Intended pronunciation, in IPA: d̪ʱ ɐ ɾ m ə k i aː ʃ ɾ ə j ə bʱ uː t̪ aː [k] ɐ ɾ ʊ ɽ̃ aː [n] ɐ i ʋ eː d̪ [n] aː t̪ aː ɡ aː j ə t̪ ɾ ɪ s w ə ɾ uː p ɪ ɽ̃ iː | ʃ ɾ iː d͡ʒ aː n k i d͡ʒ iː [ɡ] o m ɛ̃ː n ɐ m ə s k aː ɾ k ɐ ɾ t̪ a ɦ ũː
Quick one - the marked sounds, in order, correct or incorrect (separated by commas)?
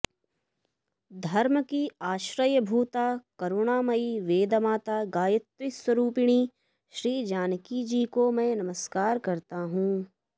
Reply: correct, incorrect, incorrect, incorrect